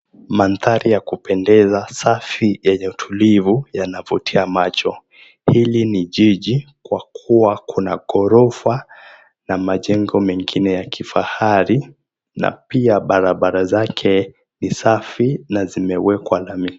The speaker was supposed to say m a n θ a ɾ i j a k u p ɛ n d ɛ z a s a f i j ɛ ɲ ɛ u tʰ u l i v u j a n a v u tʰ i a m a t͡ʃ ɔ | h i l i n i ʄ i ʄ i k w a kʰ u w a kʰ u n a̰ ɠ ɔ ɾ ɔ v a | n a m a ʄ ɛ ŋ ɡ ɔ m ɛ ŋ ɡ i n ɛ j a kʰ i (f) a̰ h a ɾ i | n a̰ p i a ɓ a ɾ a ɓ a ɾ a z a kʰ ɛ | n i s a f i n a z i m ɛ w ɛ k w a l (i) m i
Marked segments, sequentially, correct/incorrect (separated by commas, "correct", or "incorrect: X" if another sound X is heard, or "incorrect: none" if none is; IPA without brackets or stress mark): correct, incorrect: a